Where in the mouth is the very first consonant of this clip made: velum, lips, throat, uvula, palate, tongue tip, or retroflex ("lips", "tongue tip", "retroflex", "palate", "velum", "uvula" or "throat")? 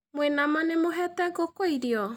lips